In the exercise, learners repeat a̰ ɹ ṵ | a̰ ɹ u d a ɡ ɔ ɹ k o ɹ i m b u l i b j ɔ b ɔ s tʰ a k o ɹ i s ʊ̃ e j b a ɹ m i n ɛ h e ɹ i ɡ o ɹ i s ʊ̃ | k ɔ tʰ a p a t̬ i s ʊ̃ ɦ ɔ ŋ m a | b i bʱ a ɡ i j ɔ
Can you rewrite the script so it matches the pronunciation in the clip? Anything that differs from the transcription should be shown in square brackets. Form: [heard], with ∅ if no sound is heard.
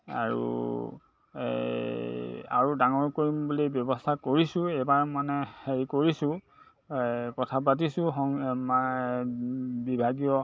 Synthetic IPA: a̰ ɹ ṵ | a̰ ɹ u d a [ŋ] ɔ ɹ k o ɹ i m b u l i b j ɔ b ɔ s tʰ a k o ɹ i s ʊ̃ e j b a ɹ m [a] n ɛ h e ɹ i [k] o ɹ i s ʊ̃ | k ɔ tʰ a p a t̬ i s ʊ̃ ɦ ɔ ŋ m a | b i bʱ a ɡ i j ɔ